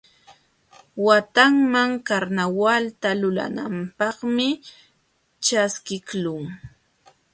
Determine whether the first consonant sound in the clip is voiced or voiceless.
voiced